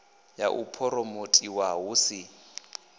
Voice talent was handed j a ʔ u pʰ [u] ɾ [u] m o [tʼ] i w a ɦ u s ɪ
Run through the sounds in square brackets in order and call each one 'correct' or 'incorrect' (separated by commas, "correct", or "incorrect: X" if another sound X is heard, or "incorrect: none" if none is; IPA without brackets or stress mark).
incorrect: ɔ, incorrect: ɔ, correct